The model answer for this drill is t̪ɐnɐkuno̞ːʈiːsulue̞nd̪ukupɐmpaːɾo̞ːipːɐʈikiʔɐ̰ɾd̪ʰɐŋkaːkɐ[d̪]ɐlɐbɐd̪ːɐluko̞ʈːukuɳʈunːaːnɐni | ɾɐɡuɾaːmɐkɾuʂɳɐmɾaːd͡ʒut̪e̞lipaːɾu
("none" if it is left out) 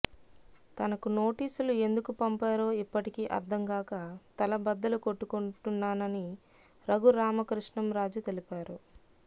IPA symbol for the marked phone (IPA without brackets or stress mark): t̪